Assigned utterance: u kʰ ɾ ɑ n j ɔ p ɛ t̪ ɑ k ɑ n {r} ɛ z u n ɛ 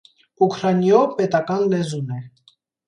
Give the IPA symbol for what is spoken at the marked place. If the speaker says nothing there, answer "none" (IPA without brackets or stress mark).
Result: l